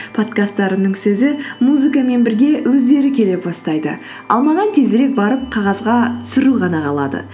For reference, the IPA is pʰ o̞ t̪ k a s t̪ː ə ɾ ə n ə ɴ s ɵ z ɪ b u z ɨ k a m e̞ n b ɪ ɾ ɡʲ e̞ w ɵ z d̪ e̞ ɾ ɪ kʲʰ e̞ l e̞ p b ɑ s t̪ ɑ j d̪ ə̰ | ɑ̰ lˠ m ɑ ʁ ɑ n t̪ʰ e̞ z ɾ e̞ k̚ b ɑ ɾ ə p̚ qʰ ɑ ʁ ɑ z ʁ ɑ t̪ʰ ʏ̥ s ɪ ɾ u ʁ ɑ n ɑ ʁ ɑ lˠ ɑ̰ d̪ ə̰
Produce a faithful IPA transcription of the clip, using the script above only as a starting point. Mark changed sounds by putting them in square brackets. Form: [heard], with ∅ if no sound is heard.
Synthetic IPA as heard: pʰ o̞ t̪ k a s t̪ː [ɑ] ɾ ə n ə ɴ s ɵ z ɪ [m] u z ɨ k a m e̞ n b ɪ ɾ ɡʲ e̞ w ɵ z d̪ e̞ ɾ ɪ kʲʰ e̞ l e̞ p b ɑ s t̪ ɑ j d̪ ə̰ | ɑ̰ lˠ m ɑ ʁ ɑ n t̪ʰ e̞ z ɾ e̞ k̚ b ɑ ɾ ə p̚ qʰ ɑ ʁ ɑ z ʁ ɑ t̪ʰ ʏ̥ s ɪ ɾ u ʁ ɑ n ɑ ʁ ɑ lˠ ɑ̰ d̪ ə̰